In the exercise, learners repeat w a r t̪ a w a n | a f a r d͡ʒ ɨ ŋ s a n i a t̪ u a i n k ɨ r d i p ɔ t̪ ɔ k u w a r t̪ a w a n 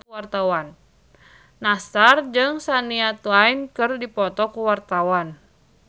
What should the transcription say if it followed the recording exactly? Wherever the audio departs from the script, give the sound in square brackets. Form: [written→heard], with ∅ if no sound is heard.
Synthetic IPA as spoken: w a r t̪ a w a [n→nː] | a [f→s] a r d͡ʒ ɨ ŋ s a n i a t̪ u a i n k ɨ r d i p ɔ t̪ ɔ k u w a r t̪ a w a n